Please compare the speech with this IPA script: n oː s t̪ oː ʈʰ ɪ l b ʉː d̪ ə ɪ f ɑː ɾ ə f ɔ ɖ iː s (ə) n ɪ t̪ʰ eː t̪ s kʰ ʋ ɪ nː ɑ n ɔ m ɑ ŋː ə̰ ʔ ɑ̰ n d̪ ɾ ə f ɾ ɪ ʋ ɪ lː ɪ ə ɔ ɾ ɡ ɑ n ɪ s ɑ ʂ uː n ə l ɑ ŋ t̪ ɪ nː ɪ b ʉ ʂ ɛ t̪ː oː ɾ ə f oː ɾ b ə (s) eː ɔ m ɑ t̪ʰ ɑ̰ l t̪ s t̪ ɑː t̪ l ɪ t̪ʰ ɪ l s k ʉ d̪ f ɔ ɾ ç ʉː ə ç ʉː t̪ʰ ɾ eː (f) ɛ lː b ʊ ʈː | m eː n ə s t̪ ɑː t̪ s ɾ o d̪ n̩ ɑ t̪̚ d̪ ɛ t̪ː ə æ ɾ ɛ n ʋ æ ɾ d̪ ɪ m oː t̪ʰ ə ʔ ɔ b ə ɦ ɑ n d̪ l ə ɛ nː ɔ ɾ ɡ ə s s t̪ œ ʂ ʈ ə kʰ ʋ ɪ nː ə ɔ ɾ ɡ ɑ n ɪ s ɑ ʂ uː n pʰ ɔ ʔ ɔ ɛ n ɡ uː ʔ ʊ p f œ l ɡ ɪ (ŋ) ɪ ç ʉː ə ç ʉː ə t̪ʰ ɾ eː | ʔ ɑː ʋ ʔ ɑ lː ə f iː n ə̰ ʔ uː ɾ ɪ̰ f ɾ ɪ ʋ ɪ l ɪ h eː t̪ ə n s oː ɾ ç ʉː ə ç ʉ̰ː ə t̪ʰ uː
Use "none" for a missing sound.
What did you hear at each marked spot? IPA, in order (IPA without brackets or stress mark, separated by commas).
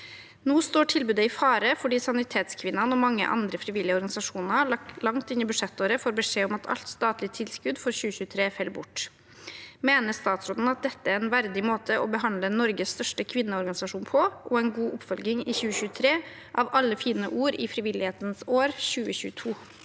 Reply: ɑ, ʂ, f, ŋ